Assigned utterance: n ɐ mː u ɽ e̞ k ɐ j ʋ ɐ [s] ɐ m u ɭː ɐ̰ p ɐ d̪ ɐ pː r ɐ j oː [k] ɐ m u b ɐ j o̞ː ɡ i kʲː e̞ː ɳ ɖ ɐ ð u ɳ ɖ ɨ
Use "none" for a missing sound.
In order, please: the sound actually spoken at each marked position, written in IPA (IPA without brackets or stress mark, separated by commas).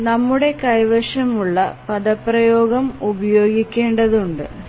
ʂ, ɡ